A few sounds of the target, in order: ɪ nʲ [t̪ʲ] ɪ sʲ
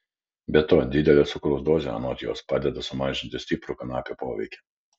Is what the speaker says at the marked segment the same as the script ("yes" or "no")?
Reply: yes